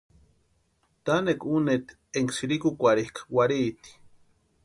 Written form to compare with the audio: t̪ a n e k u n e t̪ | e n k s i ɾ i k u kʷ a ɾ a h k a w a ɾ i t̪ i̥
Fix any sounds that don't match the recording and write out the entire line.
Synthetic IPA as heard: t̪ a n e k u n e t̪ | e ŋ k s i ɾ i k u kʷ a ɾ i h k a w a ɾ i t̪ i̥